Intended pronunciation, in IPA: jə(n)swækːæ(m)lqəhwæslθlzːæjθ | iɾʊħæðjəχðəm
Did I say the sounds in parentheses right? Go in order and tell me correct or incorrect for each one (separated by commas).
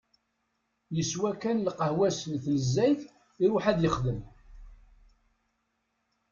incorrect, incorrect